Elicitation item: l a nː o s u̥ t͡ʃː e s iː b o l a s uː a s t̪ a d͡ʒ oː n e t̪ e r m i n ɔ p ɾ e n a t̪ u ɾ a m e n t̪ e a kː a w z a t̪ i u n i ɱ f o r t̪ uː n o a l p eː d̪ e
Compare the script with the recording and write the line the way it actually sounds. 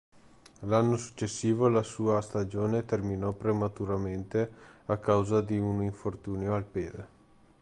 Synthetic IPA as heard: l a nː o s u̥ t͡ʃː e sː iː v o l a s uː a s t̪ a d͡ʒ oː n e t̪ e r m i n ɔ p ɾ e m a t̪ u ɾ a m e n t̪ e a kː a w z a d̪ i u n i ɱ f o r t̪ uː n o a l p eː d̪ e